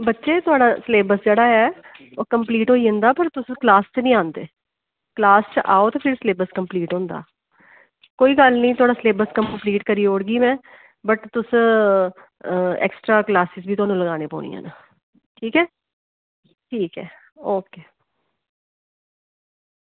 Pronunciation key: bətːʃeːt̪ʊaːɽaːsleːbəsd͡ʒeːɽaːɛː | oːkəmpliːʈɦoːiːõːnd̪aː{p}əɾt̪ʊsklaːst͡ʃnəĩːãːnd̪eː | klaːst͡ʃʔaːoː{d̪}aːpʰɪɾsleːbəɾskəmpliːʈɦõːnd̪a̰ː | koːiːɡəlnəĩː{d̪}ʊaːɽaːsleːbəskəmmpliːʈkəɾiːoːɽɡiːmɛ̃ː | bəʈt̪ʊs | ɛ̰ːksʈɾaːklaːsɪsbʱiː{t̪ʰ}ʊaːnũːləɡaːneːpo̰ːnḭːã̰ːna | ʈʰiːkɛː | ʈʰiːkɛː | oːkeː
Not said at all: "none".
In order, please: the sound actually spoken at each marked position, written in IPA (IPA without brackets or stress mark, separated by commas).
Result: p, t̪, t̪, t̪